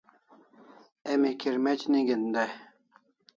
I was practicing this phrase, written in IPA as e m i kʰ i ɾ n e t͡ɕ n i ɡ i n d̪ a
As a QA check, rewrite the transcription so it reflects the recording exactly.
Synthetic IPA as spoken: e m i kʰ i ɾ m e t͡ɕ n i ɡ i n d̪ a